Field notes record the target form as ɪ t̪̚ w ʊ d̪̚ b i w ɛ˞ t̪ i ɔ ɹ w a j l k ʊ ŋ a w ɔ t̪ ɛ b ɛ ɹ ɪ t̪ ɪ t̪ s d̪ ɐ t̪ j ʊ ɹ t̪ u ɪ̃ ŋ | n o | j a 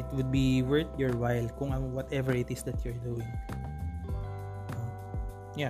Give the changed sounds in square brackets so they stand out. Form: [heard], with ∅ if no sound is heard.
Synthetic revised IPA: ɪ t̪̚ w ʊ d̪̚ b i w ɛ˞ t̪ [j] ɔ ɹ w a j l k ʊ ŋ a w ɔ t̪ ɛ [v] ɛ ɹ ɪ t̪ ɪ [∅] s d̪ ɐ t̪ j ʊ ɹ [d̪] u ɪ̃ ŋ | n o | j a